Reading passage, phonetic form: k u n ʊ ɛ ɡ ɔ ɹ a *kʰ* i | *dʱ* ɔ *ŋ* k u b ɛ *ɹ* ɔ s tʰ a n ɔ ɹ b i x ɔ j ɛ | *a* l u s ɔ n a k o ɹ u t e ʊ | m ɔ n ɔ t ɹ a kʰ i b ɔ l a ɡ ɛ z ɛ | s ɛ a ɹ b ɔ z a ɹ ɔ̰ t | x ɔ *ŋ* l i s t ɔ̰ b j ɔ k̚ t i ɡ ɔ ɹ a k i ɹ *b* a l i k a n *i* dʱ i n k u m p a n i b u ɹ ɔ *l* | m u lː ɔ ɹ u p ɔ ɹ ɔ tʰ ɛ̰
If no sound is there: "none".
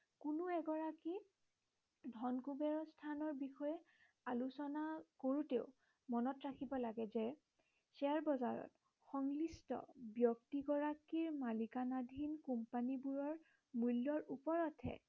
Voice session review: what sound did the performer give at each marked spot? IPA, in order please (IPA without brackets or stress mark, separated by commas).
k, dʱ, n, ɹ, a, ŋ, m, a, ɹ